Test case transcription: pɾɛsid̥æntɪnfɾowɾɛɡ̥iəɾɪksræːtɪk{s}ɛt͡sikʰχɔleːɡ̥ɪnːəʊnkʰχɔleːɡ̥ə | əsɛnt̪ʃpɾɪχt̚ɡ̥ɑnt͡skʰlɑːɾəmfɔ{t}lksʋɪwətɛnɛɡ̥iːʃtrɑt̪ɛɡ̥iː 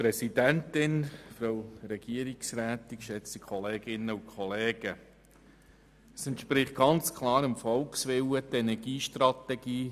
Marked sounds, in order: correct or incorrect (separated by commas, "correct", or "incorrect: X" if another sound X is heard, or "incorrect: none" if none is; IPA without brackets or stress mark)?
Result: incorrect: ʃ, incorrect: none